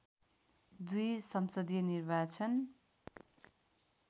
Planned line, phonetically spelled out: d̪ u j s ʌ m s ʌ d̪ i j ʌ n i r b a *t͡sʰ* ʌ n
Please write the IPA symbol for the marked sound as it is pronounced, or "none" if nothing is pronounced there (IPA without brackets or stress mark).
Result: t͡sʰ